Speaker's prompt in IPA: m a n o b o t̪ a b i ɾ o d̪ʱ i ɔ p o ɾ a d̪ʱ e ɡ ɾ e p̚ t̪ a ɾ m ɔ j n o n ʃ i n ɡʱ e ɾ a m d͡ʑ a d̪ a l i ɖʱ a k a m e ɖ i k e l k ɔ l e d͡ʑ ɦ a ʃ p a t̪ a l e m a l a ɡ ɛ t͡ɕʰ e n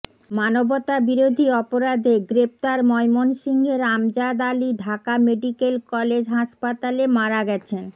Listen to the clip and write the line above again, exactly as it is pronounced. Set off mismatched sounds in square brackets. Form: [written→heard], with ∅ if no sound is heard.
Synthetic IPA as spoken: m a n o b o t̪ a b i ɾ o d̪ʱ i ɔ p o ɾ a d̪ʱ e ɡ ɾ e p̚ t̪ a ɾ m ɔ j [n→m] o n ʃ i [n→ŋ] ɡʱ e ɾ a m d͡ʑ a d̪ a l i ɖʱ a k a m e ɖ i k e l k ɔ l e d͡ʑ ɦ a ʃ p a t̪ a l e m a [l→ɾ] a ɡ ɛ t͡ɕʰ e n